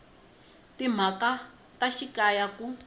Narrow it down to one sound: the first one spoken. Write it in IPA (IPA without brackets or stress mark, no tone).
t